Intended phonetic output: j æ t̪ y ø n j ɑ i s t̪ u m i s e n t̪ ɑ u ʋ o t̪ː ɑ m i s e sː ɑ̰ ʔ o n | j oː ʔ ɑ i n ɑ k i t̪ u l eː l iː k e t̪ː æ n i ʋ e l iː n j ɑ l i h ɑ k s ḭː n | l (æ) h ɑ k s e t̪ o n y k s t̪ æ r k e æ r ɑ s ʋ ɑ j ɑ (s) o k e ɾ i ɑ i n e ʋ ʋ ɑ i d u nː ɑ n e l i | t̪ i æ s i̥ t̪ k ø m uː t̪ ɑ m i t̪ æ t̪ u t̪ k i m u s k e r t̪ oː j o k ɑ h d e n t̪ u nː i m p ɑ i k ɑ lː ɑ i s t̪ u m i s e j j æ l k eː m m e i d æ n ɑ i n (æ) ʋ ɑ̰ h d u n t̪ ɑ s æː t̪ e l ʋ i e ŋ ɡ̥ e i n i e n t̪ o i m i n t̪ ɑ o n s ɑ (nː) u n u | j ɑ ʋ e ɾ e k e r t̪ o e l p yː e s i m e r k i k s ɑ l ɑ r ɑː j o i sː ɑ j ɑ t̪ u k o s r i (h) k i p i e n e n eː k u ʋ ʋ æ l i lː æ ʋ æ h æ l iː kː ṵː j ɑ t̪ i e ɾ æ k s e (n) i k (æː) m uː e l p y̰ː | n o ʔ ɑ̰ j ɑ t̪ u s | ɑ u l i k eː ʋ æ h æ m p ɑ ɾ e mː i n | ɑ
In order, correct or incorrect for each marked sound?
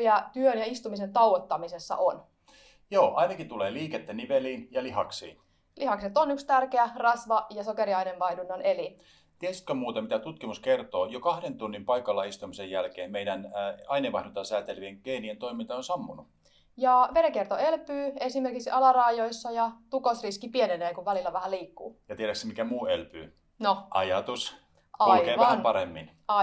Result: incorrect: i, correct, incorrect: e, incorrect: mː, incorrect: s, incorrect: m, incorrect: æ

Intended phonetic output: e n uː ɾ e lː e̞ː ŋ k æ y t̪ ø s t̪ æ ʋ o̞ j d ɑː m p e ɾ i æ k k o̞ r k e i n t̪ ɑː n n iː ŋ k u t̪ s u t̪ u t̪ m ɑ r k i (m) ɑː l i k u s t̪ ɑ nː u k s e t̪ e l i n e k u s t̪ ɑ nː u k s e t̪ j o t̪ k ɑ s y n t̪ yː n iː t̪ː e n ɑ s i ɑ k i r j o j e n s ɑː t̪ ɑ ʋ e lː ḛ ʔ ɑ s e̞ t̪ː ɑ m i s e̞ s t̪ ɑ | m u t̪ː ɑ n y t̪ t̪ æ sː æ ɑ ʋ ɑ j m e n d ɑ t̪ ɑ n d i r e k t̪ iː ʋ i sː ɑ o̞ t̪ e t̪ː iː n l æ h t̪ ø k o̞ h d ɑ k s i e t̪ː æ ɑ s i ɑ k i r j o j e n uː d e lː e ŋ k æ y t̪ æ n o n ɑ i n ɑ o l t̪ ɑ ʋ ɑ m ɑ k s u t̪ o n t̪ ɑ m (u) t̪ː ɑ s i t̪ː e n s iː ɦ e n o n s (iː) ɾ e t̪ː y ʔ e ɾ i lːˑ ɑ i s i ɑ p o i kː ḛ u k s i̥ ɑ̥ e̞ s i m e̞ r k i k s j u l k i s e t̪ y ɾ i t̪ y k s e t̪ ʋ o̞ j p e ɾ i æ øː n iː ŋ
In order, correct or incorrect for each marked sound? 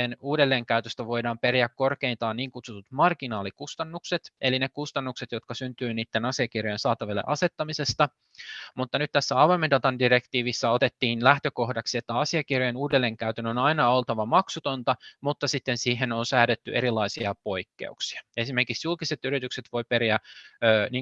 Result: incorrect: n, correct, incorrect: æː

